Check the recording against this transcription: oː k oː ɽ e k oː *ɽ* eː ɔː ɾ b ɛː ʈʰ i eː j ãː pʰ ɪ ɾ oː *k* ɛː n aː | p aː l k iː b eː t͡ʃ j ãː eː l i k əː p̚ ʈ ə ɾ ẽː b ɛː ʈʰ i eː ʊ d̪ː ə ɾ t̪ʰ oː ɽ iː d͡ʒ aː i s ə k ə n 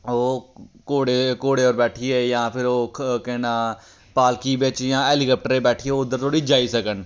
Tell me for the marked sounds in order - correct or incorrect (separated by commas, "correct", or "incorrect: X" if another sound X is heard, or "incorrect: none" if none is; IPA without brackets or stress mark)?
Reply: correct, correct